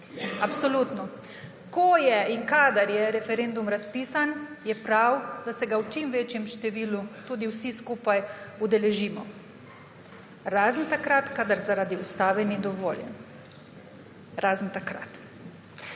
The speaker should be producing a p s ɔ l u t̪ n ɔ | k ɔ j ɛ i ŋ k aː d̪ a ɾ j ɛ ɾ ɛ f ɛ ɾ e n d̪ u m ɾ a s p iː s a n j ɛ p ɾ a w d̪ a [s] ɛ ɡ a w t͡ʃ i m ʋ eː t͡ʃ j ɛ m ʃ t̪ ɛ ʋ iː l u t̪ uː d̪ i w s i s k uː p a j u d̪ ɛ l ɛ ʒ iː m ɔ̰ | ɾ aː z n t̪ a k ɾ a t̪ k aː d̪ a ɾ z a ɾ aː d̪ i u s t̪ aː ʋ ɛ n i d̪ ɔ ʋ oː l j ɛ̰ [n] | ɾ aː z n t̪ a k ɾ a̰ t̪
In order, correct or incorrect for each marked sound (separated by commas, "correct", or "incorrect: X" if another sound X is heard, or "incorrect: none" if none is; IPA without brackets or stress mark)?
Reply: correct, correct